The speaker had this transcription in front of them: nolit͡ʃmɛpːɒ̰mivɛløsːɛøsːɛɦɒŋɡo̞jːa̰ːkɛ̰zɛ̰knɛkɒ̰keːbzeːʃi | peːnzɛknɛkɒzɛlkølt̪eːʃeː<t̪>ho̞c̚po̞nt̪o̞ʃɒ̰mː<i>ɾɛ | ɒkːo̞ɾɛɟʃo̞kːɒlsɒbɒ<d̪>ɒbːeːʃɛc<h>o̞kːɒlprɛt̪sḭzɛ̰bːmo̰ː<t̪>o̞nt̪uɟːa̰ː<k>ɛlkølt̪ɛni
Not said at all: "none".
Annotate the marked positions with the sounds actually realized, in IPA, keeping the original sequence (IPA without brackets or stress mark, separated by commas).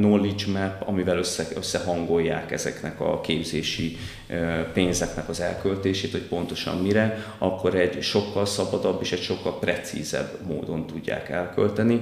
t̪, i, d̪, ʃ, d̪, k